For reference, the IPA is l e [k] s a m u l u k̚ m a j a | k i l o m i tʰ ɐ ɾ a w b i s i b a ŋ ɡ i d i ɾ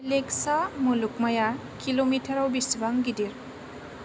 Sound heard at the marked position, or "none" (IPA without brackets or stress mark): k